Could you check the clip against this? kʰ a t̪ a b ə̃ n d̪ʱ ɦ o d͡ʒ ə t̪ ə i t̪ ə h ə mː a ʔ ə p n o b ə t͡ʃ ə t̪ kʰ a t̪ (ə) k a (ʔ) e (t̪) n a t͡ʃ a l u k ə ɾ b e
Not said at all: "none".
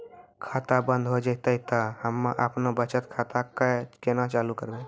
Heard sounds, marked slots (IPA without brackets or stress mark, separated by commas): a, k, none